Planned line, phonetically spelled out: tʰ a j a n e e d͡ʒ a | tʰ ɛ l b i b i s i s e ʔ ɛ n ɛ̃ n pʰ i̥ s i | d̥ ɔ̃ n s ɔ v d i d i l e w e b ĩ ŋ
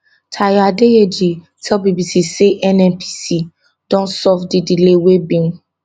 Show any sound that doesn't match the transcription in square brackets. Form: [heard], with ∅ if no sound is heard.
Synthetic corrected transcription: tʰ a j a [d] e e d͡ʒ [i] | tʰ ɛ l b i b i s i s e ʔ ɛ n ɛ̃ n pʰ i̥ s i | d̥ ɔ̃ n s ɔ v d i d i l e w e b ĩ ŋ